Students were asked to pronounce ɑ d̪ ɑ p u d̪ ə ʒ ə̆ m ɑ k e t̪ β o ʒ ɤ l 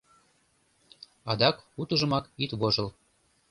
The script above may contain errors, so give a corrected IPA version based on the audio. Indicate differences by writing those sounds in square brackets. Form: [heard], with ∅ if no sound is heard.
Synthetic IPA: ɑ d̪ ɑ [k] u [t̪] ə ʒ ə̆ m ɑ k [i] t̪ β o ʒ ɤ l